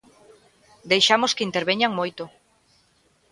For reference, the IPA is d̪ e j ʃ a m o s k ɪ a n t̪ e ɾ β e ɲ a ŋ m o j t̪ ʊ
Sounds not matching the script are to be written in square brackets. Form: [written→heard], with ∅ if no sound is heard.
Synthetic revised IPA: d̪ e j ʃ a m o s k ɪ [a→i] n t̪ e ɾ β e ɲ a ŋ m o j t̪ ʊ